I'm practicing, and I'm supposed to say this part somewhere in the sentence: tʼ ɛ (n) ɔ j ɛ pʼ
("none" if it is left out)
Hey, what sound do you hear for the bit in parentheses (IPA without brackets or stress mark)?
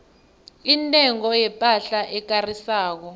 ŋ